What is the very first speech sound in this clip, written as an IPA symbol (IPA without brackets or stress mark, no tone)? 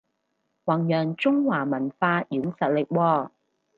w